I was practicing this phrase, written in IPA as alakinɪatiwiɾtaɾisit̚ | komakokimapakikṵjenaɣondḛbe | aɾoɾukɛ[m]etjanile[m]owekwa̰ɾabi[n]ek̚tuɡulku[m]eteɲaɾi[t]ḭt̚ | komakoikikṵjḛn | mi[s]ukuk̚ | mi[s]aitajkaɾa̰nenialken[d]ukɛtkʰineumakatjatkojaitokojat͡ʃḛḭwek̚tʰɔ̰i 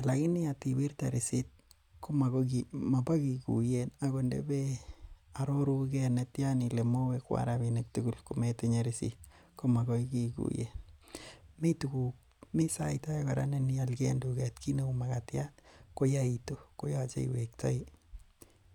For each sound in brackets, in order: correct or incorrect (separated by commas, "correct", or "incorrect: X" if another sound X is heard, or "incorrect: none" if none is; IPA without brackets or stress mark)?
incorrect: n, correct, correct, correct, incorrect: s, incorrect: t, correct, correct